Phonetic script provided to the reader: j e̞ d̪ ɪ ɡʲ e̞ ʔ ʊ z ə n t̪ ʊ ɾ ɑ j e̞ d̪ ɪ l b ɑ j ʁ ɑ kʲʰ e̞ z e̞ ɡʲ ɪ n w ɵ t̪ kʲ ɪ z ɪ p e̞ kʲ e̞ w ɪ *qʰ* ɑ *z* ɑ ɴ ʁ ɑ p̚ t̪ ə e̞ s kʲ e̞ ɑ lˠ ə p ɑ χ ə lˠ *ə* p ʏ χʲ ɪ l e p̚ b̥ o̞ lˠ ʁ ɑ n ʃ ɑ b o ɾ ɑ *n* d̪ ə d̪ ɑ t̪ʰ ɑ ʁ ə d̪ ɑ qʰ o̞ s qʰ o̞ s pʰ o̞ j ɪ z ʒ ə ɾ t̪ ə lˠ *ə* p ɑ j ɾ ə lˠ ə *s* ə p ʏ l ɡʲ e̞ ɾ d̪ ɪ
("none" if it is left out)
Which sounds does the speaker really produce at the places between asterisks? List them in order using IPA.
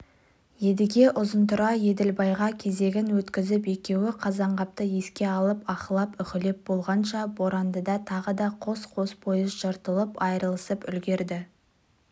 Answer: qʰ, z, ɑ, n, ə, s

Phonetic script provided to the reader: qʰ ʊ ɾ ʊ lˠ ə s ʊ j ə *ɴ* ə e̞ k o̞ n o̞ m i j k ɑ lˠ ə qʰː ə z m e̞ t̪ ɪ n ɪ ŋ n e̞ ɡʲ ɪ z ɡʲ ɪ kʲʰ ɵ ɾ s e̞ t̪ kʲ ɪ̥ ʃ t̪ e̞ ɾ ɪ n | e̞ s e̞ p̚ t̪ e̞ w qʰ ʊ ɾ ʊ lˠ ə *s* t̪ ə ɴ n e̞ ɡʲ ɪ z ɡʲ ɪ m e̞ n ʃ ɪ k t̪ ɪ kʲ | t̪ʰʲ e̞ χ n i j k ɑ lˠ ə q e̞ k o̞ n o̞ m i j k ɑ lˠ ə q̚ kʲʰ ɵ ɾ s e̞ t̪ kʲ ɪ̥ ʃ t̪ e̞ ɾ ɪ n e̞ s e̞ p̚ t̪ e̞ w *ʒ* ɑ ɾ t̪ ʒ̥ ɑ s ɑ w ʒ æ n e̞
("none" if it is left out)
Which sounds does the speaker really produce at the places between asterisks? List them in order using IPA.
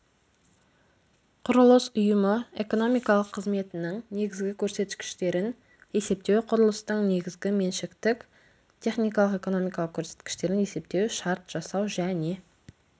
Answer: m, s, ʃ

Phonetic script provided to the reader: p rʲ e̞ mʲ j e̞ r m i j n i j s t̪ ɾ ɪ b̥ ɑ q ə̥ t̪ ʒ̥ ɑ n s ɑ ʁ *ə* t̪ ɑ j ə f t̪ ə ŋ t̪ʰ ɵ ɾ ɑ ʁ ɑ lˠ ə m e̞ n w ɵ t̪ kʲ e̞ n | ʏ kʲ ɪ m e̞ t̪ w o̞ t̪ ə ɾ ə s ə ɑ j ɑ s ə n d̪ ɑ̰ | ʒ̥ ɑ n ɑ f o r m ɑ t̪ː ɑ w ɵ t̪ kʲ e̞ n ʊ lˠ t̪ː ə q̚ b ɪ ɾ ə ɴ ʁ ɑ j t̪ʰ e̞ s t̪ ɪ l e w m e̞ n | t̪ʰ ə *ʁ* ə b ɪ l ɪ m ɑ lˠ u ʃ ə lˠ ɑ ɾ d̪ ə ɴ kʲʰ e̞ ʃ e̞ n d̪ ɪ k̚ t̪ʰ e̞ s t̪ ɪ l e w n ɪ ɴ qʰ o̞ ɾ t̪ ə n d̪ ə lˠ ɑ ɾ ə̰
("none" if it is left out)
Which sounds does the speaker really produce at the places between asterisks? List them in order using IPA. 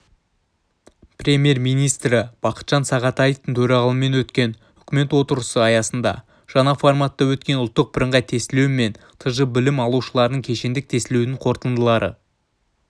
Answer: ɑ, ʒ

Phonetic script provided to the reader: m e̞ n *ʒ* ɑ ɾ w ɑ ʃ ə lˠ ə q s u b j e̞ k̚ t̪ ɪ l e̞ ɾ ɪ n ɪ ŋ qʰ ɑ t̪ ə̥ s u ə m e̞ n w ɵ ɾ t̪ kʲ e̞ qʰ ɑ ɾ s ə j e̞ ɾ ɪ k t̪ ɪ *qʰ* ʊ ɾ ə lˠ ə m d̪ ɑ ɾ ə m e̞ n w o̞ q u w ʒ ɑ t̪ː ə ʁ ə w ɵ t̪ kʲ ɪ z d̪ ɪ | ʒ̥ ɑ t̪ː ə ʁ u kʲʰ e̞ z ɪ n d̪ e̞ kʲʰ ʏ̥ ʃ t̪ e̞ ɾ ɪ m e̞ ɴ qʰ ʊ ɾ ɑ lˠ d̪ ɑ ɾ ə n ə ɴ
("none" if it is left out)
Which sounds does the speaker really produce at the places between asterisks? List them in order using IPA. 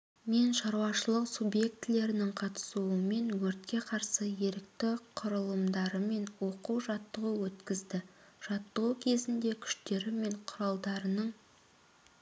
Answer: ʃ, qʰ

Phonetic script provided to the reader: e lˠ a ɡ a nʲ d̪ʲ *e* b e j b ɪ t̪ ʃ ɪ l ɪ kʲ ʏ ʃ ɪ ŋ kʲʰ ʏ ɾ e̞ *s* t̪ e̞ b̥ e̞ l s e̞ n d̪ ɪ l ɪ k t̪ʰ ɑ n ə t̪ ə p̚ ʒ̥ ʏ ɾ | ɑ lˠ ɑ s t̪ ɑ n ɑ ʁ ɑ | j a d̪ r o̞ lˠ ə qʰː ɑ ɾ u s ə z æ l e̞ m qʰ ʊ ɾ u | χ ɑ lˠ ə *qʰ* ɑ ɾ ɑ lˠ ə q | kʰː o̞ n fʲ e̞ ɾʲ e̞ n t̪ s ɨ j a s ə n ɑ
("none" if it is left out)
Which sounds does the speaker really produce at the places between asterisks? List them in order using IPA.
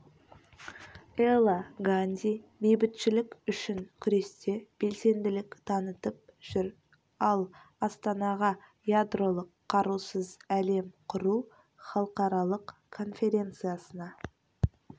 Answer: i, s, q

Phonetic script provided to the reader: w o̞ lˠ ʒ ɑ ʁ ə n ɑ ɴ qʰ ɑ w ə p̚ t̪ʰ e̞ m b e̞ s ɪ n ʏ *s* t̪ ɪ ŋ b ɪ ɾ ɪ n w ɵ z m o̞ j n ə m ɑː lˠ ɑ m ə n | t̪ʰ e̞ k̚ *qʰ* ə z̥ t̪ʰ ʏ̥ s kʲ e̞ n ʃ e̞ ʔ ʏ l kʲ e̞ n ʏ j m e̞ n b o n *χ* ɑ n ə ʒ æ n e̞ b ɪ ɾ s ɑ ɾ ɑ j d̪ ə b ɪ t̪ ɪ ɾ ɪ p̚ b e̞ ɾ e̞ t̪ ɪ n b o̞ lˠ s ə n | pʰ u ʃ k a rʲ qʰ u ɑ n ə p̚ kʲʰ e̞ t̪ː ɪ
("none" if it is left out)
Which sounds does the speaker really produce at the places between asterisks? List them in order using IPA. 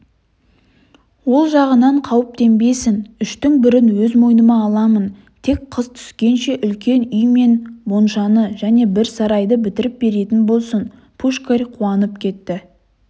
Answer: ʃ, qʰ, ʃ

